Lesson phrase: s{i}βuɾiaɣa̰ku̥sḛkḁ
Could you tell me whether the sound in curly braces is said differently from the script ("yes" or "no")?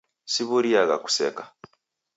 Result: no